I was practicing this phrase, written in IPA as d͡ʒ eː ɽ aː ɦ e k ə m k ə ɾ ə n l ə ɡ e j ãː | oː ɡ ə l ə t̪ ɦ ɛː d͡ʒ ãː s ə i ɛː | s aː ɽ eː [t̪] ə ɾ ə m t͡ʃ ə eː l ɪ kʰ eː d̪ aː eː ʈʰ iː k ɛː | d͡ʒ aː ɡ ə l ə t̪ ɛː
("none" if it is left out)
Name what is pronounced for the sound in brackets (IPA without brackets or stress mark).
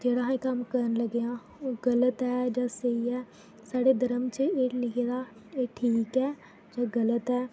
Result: d̪